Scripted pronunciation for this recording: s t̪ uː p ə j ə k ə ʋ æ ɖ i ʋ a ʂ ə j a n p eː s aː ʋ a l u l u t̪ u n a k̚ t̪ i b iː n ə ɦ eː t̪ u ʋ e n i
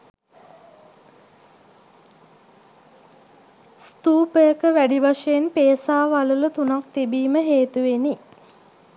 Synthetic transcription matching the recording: s t̪ uː p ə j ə k ə ʋ æ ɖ i ʋ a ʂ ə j e n p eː s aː ʋ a l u l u t̪ u n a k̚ t̪ i b iː m ə ɦ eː t̪ u ʋ e n i